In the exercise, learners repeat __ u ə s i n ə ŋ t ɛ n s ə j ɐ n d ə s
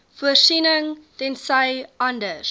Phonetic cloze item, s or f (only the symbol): f